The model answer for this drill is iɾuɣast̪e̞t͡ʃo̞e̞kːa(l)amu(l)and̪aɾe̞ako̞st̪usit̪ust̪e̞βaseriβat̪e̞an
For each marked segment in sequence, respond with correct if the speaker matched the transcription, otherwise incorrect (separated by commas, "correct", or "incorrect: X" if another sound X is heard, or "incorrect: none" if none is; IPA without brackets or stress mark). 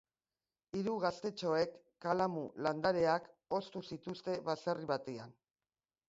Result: correct, correct